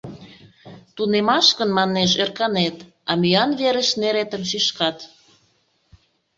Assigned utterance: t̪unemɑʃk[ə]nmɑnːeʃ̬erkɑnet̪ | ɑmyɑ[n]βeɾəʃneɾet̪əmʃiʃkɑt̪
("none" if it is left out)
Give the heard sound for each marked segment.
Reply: ə, n

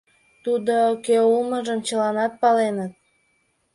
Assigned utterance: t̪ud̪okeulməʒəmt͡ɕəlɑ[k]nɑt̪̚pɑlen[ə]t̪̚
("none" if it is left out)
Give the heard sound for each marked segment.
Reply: none, ə

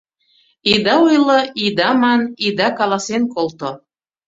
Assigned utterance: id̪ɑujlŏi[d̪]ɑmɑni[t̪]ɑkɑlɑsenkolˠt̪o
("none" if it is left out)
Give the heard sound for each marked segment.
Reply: d̪, d̪

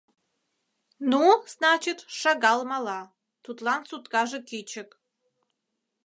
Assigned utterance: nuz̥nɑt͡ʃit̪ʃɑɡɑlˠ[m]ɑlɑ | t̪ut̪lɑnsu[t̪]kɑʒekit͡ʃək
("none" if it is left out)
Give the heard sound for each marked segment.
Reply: m, t̪

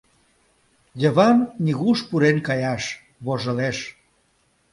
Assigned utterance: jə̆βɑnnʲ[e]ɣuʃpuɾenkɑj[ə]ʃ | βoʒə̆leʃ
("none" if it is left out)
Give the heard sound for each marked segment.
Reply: i, ɑ

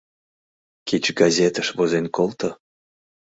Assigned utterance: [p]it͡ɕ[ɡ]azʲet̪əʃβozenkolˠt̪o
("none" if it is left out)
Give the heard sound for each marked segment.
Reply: k, ɡ

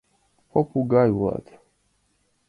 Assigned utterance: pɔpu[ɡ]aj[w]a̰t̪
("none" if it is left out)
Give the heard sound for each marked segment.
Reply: ɡ, w

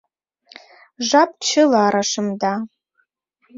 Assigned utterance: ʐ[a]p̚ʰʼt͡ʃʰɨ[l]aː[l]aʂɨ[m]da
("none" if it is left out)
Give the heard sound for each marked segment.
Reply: a, l, ɾ, m

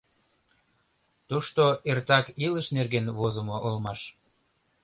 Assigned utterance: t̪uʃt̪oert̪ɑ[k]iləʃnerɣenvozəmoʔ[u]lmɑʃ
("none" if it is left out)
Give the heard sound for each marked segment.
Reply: k, o

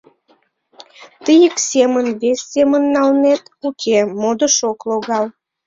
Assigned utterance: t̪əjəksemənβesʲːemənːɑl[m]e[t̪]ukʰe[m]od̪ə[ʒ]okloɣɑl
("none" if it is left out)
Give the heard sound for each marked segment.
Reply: n, t̪, m, ʃ

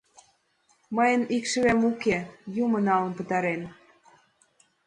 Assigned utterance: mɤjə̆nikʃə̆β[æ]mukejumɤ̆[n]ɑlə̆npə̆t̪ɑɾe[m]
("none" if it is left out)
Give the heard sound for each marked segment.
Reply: æ, n, n

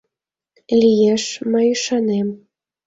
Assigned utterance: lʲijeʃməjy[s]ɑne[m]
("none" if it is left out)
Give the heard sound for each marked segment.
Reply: ʃ, m

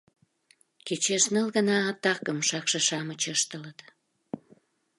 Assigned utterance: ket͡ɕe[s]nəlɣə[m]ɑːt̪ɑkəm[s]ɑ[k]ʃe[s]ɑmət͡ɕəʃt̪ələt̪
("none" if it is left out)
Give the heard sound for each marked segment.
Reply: ʃ, n, ʃ, k, ʃ

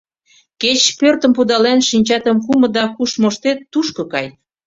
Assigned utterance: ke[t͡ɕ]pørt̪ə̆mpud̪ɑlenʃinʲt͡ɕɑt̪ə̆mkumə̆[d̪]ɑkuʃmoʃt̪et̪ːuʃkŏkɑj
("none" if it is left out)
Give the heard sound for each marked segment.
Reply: t͡ɕ, d̪

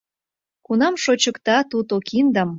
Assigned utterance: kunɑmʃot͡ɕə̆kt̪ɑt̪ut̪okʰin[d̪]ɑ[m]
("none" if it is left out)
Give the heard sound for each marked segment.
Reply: d̪, m

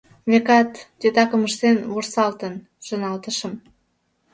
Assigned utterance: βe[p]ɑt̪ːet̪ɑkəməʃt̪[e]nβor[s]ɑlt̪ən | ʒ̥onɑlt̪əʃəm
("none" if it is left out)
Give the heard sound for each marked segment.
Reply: k, e, s

